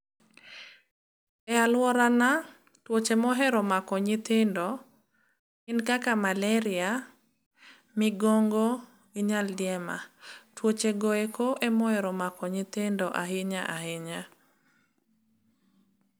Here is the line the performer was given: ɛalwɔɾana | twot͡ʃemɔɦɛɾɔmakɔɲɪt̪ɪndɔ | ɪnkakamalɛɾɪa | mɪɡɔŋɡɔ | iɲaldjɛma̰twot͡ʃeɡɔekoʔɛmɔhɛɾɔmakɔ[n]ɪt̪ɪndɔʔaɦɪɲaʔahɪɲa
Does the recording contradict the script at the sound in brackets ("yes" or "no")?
yes